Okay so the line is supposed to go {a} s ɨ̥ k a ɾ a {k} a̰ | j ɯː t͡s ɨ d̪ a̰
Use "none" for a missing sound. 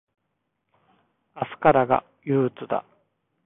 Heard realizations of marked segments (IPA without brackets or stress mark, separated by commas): a, ɡ